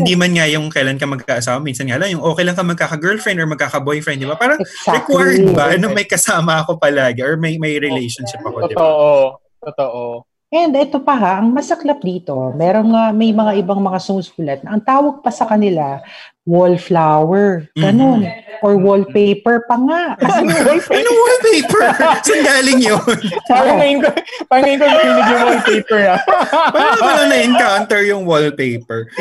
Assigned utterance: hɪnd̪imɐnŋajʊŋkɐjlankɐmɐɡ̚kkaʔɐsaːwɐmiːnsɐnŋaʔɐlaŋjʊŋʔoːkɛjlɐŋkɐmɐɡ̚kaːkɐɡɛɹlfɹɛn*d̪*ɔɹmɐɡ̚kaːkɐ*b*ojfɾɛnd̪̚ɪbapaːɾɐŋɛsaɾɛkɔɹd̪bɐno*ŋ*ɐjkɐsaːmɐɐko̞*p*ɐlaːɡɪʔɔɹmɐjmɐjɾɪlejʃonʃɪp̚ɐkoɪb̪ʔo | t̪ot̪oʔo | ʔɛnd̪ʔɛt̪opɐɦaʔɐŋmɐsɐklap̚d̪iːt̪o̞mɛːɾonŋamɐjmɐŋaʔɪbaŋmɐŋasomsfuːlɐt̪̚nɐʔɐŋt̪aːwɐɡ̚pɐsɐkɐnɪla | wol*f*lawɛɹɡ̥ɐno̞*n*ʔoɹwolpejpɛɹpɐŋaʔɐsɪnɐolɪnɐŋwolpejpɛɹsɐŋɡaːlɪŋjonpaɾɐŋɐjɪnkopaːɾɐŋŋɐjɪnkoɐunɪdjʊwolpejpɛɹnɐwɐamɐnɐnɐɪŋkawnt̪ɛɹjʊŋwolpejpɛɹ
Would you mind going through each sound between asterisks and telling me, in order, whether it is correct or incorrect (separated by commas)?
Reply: correct, correct, incorrect, correct, correct, correct